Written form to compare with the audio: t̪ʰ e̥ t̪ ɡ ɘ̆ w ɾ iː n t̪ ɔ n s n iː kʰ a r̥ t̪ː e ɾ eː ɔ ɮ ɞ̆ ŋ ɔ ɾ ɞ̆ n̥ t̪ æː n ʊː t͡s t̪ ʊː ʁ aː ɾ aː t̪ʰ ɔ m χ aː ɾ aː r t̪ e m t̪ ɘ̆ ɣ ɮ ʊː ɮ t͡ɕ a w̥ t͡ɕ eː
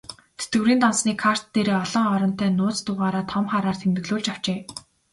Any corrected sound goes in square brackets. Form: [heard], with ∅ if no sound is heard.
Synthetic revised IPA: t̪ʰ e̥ t̪ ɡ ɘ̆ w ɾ iː n t̪ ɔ n s n iː kʰ a r̥ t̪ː e ɾ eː ɔ ɮ ɞ̆ ŋ ɔ ɾ ɞ̆ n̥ t̪ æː n ʊː t͡s t̪ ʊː ʁ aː ɾ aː t̪ʰ ɔ m χ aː ɾ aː r [t̪ʰ] e m t̪ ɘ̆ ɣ ɮ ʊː ɮ t͡ɕ a w̥ t͡ɕ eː